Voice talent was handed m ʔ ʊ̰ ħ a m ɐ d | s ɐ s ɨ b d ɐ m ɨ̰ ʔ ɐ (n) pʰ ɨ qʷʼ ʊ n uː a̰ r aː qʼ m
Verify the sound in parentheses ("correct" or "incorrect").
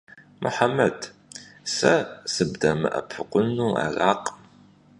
incorrect